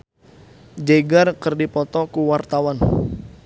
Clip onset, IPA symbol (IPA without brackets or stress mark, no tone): d͡ʒ